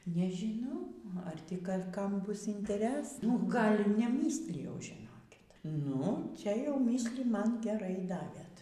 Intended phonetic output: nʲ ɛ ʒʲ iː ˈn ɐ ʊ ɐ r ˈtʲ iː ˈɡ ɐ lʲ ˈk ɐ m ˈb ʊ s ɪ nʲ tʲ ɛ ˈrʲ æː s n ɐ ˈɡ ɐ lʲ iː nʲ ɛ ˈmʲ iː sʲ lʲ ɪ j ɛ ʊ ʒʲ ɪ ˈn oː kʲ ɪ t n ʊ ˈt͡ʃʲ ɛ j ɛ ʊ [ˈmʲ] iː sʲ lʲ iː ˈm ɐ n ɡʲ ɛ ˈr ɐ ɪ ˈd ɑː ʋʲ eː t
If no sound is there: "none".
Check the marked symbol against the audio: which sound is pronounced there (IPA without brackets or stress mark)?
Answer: mʲ